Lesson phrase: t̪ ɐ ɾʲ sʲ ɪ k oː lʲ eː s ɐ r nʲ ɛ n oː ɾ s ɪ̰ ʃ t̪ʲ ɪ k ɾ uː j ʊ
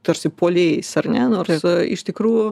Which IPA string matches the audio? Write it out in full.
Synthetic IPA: t̪ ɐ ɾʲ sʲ ɪ p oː lʲ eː s ɐ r nʲ ɛ n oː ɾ s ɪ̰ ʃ t̪ʲ ɪ k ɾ uː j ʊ